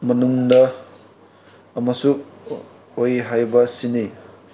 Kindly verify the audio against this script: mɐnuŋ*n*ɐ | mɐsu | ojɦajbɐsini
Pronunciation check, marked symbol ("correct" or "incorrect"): incorrect